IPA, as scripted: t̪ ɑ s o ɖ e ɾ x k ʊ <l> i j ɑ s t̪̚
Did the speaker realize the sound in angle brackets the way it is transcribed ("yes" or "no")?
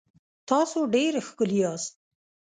yes